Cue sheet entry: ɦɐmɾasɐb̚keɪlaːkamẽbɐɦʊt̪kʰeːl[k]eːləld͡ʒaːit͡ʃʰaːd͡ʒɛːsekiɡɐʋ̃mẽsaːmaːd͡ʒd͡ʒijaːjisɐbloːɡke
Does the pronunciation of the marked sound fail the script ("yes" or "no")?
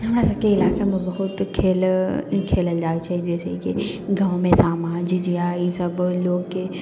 yes